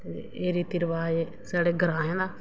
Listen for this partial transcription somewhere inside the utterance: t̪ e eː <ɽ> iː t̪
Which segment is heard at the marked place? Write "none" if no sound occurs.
ɾ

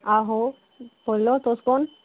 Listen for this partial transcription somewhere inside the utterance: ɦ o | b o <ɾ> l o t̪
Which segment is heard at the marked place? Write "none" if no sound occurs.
l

